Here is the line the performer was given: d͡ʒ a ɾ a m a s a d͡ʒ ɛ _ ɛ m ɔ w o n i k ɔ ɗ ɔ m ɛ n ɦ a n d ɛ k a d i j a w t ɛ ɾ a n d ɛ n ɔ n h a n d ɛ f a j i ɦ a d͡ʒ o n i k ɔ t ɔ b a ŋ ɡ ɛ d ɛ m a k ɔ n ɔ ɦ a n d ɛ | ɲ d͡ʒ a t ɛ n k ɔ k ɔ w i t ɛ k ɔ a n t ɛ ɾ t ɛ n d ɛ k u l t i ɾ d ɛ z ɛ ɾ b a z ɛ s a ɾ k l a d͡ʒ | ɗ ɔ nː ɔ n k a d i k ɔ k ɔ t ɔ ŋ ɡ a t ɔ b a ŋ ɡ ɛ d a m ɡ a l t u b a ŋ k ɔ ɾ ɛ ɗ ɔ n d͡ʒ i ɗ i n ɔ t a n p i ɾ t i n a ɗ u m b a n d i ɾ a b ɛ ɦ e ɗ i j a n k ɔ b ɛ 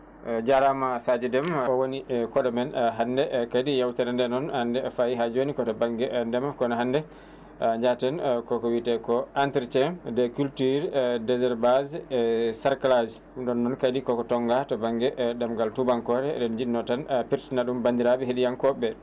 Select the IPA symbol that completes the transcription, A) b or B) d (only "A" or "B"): B